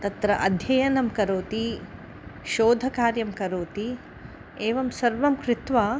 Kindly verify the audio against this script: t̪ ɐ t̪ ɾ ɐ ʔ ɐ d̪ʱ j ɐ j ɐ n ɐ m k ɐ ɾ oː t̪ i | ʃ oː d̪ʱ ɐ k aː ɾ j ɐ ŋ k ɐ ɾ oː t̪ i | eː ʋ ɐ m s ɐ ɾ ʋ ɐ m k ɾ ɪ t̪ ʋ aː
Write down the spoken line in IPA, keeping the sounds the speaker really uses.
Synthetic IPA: t̪ ɐ t̪ ɾ ɐ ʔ ɐ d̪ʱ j ɐ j ɐ n ɐ m k ɐ ɾ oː t̪ i | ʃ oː d̪ʱ ɐ k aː ɾ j ɐ m k ɐ ɾ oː t̪ i | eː ʋ ɐ m s ɐ ɾ ʋ ɐ m k ɾ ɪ t̪ ʋ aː